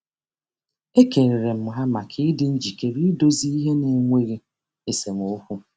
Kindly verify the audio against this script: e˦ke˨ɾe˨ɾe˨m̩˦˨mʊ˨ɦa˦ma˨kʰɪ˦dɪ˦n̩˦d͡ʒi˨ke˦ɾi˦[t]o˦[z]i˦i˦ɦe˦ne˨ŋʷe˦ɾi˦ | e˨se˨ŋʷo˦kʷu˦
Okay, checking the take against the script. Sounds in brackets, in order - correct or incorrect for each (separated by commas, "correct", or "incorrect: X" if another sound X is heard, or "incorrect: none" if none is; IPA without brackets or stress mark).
incorrect: d, correct